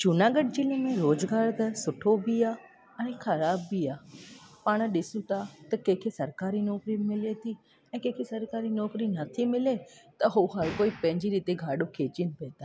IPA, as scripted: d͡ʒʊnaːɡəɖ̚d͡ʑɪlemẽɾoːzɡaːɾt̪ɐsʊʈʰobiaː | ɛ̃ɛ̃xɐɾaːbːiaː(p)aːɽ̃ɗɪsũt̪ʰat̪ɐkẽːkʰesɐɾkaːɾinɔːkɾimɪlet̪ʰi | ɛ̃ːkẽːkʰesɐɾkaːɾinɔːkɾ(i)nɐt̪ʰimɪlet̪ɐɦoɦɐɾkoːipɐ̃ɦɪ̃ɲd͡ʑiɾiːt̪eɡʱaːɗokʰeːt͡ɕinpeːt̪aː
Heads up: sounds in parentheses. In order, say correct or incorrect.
correct, correct

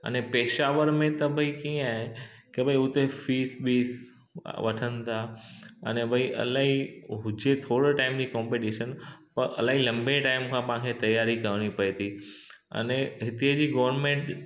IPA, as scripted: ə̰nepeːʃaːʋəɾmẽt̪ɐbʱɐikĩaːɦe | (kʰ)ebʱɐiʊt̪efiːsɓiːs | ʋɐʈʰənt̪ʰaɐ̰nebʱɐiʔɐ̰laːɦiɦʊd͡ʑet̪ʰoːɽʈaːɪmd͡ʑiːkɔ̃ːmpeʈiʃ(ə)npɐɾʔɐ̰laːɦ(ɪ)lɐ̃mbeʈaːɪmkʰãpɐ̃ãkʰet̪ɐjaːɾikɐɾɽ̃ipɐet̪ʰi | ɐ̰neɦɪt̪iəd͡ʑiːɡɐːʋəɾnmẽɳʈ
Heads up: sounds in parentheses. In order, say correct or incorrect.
incorrect: k, correct, incorrect: i

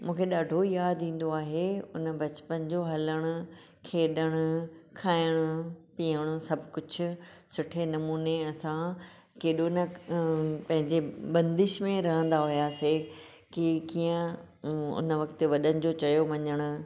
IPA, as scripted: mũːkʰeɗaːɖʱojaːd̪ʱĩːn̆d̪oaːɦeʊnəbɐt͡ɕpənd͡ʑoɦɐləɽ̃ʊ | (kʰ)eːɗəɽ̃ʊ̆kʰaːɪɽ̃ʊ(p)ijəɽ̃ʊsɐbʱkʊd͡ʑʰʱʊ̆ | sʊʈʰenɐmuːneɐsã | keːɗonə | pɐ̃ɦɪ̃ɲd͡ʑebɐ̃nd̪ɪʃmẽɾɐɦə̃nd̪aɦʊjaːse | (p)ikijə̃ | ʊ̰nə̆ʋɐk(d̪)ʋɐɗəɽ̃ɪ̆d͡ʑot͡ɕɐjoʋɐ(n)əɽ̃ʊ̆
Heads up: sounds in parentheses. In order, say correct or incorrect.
correct, correct, incorrect: k, incorrect: t̪, incorrect: ɲ

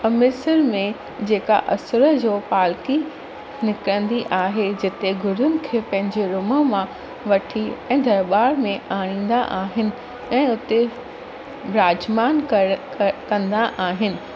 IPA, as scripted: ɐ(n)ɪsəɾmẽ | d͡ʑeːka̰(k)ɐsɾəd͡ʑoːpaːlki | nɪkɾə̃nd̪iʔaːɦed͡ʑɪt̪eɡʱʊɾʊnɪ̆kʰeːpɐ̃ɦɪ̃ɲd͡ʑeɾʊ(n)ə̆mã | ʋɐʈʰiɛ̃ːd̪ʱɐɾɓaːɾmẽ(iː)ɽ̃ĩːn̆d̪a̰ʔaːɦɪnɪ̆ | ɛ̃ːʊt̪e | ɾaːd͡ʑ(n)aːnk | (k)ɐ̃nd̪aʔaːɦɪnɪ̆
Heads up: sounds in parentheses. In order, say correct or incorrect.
incorrect: m, incorrect: ʔ, incorrect: m, incorrect: aː, incorrect: m, correct

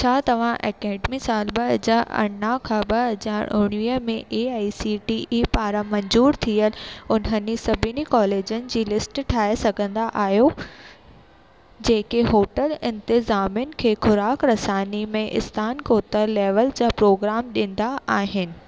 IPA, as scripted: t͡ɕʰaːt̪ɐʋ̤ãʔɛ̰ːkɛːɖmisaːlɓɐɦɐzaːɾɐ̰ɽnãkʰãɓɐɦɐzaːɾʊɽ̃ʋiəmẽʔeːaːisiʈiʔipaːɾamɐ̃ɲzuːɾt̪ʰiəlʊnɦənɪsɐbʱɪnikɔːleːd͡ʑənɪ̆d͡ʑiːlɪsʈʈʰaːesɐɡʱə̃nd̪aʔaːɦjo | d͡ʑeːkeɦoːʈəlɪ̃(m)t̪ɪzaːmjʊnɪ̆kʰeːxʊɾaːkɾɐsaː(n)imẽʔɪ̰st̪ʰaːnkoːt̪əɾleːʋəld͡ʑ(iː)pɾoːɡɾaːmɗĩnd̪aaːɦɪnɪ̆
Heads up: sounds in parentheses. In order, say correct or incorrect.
incorrect: n, correct, incorrect: aː

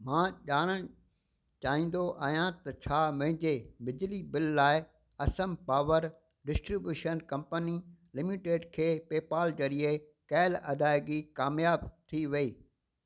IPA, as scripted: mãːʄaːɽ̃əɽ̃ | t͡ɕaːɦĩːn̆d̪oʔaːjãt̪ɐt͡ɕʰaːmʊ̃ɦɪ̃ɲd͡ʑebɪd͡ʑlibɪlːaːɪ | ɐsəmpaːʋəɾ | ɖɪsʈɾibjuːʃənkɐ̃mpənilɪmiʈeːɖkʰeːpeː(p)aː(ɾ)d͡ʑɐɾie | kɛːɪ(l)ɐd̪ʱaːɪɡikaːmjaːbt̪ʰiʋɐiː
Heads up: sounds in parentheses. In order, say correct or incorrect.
correct, incorrect: l, correct

